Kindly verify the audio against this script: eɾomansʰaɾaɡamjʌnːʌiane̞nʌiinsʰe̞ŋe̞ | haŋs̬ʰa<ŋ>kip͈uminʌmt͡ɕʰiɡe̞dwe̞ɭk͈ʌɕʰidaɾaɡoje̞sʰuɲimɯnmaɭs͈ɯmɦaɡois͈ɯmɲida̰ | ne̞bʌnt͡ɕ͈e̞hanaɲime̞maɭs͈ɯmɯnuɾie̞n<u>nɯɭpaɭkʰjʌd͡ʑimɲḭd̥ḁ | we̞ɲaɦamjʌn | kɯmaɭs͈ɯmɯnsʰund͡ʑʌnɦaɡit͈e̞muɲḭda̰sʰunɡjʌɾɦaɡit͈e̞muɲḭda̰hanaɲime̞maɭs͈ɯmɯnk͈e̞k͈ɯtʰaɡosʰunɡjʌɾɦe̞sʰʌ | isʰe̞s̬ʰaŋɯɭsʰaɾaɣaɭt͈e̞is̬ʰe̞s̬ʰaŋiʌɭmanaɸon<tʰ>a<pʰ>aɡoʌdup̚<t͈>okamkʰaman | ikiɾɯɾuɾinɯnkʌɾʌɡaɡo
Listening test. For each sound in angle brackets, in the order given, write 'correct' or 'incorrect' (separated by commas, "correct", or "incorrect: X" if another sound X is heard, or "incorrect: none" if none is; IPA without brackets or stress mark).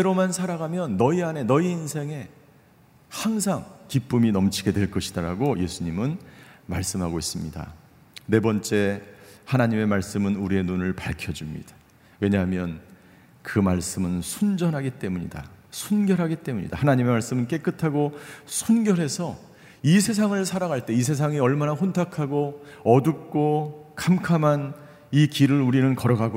correct, correct, correct, incorrect: kʰ, incorrect: k͈